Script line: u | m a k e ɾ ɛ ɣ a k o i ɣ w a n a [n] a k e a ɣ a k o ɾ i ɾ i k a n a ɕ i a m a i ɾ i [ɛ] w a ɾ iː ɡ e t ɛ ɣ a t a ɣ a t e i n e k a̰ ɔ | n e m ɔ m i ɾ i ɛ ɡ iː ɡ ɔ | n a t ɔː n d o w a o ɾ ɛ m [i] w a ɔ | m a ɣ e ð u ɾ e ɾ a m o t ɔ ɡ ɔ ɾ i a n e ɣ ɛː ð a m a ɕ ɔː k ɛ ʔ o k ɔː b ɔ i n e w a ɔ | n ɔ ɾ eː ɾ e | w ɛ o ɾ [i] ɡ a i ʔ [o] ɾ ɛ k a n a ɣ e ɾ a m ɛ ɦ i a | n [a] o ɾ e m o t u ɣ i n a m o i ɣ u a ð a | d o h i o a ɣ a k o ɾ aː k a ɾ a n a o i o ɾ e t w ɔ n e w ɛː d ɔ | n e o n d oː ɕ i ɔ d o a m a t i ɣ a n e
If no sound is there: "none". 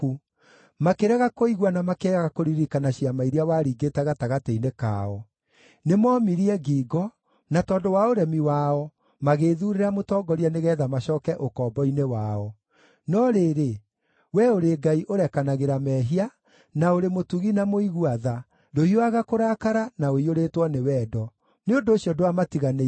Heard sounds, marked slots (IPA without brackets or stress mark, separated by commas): m, a, i, e, o, a